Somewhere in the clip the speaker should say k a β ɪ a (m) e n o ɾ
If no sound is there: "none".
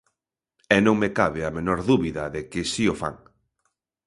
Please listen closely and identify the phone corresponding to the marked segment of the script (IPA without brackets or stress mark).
m